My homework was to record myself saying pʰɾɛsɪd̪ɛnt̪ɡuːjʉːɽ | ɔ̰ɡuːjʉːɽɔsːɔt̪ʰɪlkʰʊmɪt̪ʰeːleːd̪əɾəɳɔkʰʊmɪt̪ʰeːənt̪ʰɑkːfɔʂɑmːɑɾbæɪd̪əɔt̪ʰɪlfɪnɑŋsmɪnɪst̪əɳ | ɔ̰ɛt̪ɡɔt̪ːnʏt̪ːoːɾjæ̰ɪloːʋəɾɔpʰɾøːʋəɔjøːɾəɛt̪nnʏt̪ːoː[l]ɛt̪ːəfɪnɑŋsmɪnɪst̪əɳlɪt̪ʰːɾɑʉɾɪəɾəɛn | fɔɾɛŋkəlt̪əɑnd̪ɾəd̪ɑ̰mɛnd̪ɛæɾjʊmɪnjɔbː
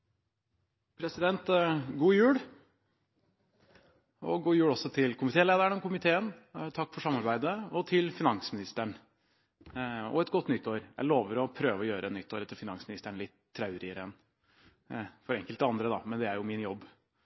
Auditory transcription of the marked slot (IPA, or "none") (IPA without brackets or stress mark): ɾ